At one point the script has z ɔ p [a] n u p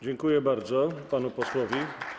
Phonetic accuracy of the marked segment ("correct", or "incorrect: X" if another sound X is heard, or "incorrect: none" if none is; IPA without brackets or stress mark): correct